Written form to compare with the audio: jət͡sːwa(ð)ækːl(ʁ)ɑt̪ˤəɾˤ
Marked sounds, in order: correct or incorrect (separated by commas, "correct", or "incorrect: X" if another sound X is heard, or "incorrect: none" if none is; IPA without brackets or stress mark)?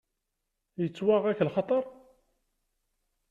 incorrect: ʁ, incorrect: χ